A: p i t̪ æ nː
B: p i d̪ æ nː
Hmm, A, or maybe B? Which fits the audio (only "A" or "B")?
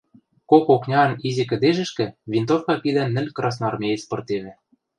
B